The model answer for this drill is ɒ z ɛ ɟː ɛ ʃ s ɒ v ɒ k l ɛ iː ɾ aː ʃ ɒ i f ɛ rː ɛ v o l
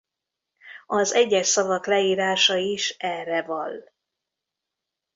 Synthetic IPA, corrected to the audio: ɒ z ɛ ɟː ɛ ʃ s ɒ v ɒ k l ɛ iː ɾ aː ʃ ɒ i ʃ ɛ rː ɛ v ɒ l